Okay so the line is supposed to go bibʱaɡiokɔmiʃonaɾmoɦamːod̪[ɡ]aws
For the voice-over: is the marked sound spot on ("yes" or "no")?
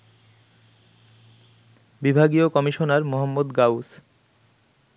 yes